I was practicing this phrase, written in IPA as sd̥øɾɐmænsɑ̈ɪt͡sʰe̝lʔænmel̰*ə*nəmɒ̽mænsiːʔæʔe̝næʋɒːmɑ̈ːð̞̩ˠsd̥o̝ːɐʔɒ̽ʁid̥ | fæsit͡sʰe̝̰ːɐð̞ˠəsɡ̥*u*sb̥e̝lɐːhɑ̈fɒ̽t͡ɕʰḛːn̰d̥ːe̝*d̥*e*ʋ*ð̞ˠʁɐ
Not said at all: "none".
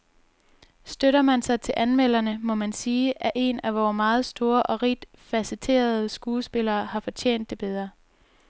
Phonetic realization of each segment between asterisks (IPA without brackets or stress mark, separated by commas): ɐ, uː, b̥, none